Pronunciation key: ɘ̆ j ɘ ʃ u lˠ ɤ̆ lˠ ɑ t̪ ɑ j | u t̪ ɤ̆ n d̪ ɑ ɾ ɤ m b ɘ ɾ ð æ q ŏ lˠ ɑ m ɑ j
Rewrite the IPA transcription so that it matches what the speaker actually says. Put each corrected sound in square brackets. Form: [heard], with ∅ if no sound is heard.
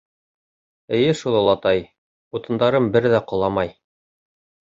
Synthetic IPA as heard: ɘ̆ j ɘ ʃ u lˠ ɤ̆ lˠ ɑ t̪ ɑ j | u t̪ ɤ̆ n d̪ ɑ ɾ ɤ m b ɘ ɾ ð æ q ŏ lˠ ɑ m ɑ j